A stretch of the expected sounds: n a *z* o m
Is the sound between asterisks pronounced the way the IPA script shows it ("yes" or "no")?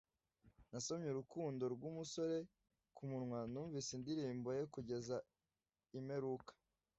no